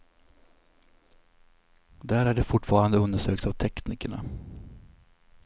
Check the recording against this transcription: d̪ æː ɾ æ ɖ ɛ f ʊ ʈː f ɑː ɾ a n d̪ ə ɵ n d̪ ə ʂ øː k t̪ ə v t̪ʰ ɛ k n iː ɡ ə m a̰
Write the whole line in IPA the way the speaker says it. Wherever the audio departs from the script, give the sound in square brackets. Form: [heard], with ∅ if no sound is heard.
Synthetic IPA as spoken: d̪ æː ɾ æ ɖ ɛ f ʊ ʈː f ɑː ɾ a n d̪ ə ɵ n d̪ ə ʂ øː k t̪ [a] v t̪ʰ ɛ k n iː [k] ə [ɳ] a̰